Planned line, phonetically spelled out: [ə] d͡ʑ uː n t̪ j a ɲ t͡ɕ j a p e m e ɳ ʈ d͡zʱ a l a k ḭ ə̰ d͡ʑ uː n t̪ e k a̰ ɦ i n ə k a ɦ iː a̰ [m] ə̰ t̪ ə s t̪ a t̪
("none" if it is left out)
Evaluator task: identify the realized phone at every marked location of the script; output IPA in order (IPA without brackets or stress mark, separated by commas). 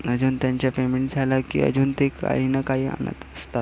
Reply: ə, n